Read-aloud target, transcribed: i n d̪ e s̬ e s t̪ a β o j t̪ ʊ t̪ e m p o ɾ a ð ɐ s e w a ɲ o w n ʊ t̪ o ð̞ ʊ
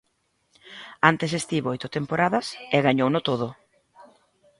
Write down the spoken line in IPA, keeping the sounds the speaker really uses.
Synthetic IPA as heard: a n t̪ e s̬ e s t̪ i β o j t̪ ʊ t̪ e m p o ɾ a ð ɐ s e ɣ a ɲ o w n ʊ t̪ o ð̞ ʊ